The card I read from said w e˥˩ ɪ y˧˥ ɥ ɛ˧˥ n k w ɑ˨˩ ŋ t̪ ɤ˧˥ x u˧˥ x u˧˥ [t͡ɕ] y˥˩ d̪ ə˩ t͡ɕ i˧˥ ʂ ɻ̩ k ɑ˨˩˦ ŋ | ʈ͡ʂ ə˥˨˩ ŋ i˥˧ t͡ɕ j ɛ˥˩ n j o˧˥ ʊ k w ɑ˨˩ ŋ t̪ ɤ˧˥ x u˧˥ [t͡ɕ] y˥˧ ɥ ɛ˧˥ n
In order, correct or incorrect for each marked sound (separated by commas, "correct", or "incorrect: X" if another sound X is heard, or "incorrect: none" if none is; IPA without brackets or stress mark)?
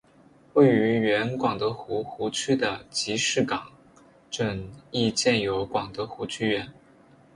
incorrect: t͡ɕʰ, incorrect: t͡ɕʰ